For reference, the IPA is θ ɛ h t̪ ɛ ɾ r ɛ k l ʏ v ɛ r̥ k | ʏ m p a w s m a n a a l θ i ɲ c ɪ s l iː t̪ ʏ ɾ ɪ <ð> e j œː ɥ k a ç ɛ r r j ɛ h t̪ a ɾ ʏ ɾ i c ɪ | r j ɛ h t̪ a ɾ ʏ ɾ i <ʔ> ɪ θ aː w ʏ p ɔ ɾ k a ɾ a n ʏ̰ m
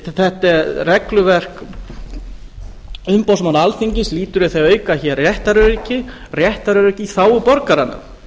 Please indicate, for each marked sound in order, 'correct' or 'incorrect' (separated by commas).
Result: incorrect, incorrect